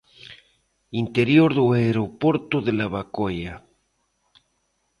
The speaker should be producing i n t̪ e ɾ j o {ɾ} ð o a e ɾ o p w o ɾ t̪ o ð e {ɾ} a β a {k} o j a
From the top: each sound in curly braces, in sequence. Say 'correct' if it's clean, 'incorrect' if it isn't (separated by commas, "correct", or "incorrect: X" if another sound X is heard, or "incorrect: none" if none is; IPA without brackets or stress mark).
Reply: correct, incorrect: l, correct